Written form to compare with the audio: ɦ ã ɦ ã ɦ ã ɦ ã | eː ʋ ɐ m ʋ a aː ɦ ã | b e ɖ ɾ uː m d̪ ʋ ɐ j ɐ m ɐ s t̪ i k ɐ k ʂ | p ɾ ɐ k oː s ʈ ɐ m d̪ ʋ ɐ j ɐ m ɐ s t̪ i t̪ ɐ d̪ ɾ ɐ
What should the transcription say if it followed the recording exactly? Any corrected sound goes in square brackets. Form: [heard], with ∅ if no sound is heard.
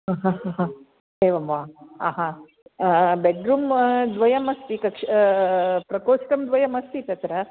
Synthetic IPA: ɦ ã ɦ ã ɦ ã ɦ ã | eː ʋ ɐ m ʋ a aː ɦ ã | b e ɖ ɾ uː m d̪ ʋ ɐ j ɐ m ɐ s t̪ i k ɐ k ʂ | p ɾ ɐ k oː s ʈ ɐ m d̪ ʋ ɐ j ɐ m ɐ s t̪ i t̪ ɐ [t̪] ɾ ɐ